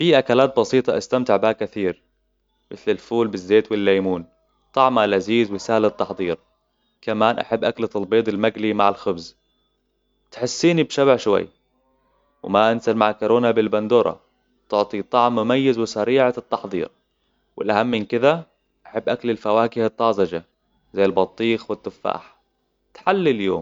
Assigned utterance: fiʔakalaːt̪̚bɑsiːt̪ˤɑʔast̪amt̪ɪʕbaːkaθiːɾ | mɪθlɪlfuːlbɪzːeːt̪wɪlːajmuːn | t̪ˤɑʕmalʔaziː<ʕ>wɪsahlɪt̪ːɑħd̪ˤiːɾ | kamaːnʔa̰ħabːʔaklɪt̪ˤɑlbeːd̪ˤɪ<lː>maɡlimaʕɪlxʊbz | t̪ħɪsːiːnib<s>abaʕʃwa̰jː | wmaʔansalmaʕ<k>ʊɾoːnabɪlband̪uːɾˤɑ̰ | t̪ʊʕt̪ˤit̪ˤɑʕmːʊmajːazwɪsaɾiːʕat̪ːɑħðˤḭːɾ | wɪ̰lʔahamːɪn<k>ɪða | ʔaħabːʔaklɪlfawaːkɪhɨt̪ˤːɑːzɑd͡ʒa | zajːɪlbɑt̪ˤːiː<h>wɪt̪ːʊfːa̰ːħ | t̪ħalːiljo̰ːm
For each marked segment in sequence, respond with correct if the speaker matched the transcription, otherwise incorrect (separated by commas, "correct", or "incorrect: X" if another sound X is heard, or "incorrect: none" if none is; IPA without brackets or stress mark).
incorrect: z, incorrect: l, incorrect: ʃ, correct, correct, incorrect: x